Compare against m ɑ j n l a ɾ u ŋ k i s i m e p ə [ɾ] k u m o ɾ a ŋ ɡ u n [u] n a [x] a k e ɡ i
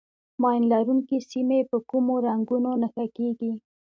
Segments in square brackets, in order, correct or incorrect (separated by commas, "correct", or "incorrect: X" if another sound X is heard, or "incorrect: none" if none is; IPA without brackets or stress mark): incorrect: none, incorrect: o, correct